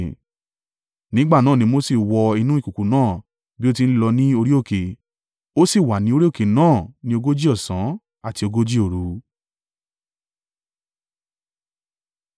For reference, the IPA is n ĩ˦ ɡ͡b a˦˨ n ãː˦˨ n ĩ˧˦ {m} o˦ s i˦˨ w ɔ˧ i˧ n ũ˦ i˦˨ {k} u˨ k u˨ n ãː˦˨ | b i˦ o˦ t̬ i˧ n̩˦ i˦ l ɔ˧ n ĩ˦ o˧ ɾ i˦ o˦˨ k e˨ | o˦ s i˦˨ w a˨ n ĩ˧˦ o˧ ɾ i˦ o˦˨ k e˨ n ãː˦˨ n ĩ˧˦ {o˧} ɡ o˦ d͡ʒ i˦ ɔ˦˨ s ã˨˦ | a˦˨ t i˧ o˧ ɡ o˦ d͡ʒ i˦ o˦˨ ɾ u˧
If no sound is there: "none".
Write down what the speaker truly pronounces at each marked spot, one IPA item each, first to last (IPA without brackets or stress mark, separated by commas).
m, k, o˧